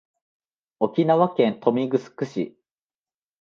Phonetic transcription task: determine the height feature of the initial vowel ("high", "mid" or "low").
mid